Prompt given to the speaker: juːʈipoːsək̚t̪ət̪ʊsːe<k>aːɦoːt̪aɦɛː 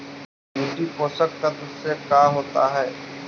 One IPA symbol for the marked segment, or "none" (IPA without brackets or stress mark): k